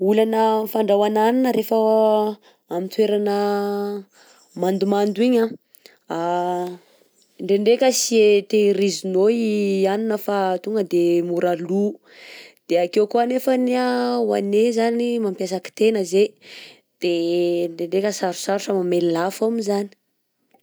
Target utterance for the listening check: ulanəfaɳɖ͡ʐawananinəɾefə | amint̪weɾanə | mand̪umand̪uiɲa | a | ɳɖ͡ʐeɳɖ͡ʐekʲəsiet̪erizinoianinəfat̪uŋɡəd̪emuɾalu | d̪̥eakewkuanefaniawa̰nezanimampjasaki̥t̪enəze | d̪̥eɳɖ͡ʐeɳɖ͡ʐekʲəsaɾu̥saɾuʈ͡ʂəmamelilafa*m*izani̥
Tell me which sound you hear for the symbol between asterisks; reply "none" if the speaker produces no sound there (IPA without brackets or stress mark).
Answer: m